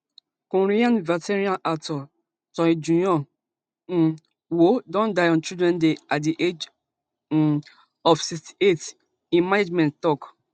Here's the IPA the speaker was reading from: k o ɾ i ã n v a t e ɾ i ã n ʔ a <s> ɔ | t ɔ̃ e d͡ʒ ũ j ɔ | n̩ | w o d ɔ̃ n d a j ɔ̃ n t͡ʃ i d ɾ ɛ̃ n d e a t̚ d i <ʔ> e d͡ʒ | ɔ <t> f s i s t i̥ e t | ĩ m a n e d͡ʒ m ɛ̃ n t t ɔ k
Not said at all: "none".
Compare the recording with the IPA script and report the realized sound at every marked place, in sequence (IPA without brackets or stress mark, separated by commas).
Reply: t, ʔ, none